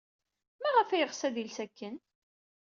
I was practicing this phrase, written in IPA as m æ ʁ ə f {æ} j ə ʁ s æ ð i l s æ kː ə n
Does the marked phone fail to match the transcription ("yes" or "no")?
no